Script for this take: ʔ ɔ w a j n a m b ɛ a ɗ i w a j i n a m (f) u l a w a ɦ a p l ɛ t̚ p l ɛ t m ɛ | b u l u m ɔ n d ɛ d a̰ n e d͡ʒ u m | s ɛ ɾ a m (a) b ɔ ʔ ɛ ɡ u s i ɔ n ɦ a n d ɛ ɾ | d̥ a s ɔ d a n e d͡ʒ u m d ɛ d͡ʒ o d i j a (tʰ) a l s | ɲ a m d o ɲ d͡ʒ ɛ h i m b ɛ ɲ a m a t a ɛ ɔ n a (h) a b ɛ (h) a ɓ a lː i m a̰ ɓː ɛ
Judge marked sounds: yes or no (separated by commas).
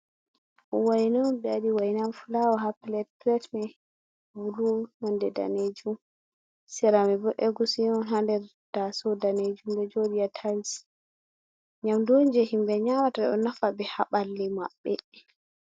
yes, no, yes, no, yes